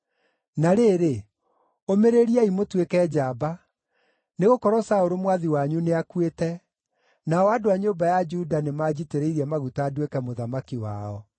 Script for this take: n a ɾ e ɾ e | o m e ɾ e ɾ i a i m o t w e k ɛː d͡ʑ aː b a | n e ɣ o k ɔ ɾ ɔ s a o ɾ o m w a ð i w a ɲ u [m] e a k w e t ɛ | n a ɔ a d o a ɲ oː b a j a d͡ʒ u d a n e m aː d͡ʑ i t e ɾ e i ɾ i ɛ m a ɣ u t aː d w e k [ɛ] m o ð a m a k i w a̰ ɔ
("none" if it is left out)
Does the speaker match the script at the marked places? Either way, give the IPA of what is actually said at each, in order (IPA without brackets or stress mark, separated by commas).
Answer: n, ɛ